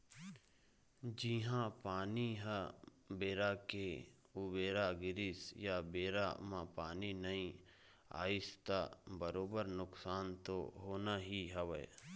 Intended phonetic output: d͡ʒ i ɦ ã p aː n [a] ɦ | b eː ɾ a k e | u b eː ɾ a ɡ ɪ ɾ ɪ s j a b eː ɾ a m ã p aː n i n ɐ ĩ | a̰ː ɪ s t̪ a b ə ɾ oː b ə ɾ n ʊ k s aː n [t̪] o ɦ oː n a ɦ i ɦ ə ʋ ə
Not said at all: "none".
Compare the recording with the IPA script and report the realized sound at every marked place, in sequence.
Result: i, t̪

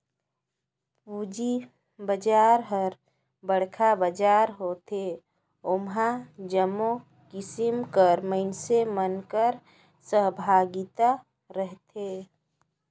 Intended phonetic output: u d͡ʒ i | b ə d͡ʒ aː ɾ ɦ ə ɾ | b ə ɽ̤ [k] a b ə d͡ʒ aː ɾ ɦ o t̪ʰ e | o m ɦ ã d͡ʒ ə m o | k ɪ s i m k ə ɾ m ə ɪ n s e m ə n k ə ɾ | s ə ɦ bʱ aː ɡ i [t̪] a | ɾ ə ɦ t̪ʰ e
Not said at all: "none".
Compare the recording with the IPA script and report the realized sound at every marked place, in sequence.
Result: kʰ, t̪

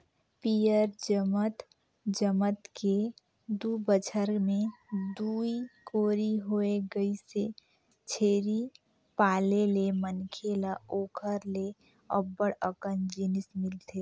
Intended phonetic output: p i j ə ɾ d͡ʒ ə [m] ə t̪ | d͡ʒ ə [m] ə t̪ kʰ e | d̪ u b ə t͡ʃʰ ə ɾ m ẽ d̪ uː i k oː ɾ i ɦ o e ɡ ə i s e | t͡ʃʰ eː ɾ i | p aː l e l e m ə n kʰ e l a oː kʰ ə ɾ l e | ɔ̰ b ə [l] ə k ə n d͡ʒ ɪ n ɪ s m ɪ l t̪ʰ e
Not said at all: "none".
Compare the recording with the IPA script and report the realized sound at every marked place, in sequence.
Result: m, m, ɽ

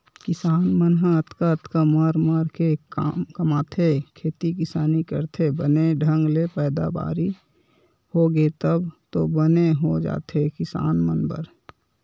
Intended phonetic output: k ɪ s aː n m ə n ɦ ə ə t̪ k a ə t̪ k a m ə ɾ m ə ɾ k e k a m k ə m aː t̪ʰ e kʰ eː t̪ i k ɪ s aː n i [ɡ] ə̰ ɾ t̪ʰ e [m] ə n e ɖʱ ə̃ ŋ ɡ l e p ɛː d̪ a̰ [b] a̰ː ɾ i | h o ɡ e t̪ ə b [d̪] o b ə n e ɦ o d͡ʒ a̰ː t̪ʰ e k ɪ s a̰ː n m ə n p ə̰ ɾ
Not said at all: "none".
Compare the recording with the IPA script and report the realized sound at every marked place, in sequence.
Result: k, b, b, t̪

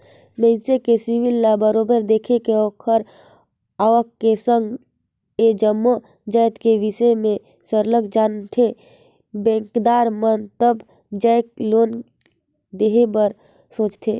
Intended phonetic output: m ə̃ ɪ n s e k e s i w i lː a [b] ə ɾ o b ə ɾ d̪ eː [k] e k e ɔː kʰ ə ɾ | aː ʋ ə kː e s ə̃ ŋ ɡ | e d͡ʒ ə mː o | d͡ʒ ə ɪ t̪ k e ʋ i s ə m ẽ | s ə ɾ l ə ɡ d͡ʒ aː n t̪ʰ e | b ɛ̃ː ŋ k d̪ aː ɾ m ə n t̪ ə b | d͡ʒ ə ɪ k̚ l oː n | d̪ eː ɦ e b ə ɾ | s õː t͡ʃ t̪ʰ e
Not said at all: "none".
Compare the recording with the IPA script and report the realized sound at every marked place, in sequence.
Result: b, kʰ

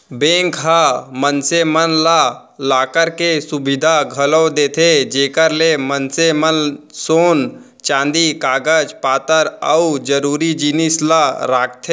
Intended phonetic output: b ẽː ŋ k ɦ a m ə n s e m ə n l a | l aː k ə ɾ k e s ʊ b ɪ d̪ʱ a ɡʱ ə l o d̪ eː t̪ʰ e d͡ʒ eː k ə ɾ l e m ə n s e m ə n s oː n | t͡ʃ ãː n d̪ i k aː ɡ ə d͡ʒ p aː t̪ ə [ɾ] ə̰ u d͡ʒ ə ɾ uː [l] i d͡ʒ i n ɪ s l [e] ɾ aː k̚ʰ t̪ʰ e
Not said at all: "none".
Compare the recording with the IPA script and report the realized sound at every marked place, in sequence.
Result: ɾ, ɾ, a

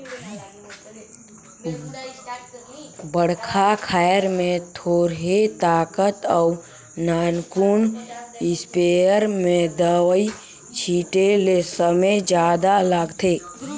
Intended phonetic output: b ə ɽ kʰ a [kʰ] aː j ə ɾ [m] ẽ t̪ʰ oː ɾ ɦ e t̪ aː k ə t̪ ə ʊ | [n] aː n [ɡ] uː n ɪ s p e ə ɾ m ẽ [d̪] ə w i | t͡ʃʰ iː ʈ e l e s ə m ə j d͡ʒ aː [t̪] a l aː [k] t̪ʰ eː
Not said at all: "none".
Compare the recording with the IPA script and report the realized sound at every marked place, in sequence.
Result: kʰ, m, n, k, d̪, d̪, ɡ

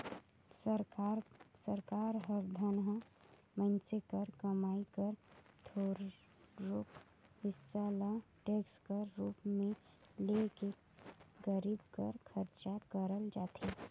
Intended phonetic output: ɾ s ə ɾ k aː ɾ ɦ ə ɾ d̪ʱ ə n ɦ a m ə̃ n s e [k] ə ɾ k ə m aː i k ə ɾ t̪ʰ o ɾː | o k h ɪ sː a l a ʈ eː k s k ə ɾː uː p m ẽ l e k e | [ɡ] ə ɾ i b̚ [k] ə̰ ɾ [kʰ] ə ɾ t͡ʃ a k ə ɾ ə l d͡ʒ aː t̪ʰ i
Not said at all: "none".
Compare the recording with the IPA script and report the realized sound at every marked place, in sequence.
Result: k, ɡ, k, kʰ

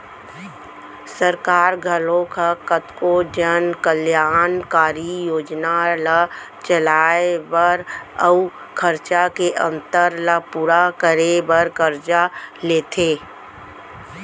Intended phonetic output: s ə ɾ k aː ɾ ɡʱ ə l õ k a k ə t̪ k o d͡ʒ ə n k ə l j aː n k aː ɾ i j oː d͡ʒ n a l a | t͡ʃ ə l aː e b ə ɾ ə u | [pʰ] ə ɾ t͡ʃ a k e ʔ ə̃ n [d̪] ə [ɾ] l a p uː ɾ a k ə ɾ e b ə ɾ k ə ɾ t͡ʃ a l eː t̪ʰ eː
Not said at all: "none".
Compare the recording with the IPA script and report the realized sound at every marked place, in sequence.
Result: kʰ, t̪, ɾ

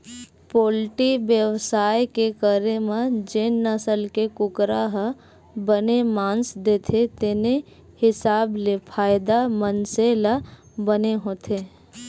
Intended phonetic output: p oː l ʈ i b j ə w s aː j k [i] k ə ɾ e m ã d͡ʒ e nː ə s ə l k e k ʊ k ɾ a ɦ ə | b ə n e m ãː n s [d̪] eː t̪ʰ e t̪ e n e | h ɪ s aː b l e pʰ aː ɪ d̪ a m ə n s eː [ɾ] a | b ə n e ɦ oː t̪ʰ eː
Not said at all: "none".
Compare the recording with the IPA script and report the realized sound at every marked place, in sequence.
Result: e, d̪, l

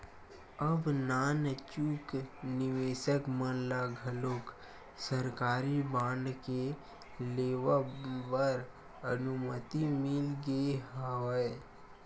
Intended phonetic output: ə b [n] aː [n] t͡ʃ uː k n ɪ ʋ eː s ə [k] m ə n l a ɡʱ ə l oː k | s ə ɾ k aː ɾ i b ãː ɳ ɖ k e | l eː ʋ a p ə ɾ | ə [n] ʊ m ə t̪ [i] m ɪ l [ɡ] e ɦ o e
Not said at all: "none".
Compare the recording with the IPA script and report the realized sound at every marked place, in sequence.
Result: n, n, k, n, i, ɡ

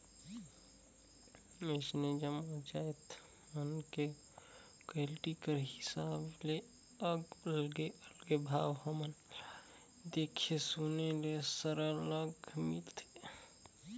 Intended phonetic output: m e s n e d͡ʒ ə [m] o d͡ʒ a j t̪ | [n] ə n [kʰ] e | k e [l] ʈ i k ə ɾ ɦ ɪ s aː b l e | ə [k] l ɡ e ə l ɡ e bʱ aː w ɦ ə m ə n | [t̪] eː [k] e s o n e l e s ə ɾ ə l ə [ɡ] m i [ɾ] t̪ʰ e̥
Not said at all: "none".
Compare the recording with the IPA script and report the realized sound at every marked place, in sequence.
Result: m, m, k, l, ɡ, d̪, kʰ, ɡ, l

